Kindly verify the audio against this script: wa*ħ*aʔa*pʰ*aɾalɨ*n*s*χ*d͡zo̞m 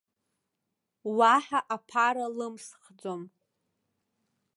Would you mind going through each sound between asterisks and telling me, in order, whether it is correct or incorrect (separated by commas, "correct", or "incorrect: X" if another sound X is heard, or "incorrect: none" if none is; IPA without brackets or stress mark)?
correct, correct, incorrect: m, correct